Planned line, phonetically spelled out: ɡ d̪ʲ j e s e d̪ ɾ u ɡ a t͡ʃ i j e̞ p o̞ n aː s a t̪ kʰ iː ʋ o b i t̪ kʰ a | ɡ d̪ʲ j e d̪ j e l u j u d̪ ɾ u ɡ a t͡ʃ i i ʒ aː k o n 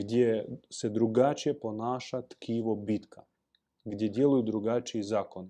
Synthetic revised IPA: ɡ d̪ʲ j e s e d̪ ɾ u ɡ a t͡ʃ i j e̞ p o̞ n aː ʃ a t̪ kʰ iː ʋ o b i t̪ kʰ a | ɡ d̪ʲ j e d̪ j e l u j u d̪ ɾ u ɡ a t͡ʃ i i z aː k o n